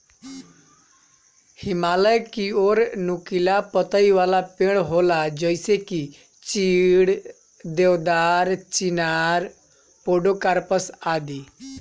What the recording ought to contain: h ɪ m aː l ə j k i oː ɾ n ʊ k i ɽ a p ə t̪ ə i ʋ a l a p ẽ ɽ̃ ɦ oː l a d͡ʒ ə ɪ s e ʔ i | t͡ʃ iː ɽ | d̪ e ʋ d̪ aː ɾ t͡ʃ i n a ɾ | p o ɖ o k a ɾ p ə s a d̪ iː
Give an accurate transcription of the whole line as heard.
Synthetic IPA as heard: h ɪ m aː l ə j k i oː ɾ n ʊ k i l a p ə t̪ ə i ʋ a l a p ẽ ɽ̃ ɦ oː l a d͡ʒ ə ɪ s e k i | t͡ʃ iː ɽ | d̪ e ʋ d̪ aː ɾ t͡ʃ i n a ɾ | p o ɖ o k a ɾ p ə s a d̪ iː